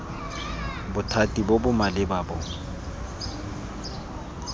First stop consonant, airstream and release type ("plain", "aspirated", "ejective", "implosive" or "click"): plain